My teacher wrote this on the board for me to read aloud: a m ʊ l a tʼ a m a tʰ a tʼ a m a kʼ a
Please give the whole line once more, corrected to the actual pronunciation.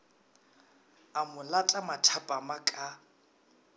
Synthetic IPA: a m ʊ l a tʼ a m a tʰ a pʼ a m a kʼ a